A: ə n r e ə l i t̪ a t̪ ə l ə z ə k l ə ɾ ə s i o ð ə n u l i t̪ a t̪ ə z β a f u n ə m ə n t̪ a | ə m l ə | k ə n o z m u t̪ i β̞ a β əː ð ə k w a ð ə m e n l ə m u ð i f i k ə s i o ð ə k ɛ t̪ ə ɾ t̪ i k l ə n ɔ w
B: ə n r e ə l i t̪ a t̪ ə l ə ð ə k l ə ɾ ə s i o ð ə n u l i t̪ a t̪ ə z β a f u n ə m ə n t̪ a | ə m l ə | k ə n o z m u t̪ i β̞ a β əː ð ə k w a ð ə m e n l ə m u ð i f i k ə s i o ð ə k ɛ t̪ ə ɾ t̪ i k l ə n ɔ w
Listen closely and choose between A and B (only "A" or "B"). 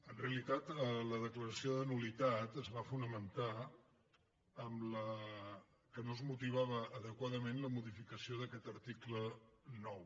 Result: B